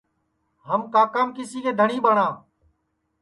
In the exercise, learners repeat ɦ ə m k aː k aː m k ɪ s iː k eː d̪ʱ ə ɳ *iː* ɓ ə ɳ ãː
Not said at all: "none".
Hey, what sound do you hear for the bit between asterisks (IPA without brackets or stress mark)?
iː